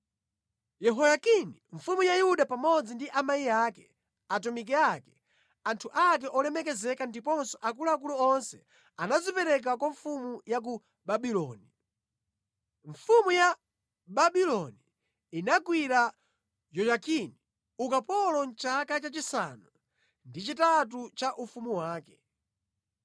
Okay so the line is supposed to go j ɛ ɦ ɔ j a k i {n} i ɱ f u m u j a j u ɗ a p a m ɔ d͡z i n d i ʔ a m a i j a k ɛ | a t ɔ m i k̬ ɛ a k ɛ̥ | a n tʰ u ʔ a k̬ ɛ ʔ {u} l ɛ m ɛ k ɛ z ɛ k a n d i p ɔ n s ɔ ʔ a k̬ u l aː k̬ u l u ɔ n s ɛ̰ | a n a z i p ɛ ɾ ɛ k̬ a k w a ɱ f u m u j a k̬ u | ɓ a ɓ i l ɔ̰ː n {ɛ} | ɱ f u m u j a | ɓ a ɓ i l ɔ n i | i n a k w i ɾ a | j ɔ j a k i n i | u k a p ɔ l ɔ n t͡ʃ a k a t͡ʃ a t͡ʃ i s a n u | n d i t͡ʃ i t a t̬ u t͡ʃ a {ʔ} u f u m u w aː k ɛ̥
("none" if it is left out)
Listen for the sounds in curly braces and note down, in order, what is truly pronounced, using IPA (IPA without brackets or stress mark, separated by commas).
n, ɔ, i, ʔ